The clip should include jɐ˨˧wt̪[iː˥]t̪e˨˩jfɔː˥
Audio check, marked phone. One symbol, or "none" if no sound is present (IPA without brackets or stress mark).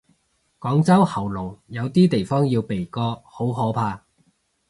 iː˥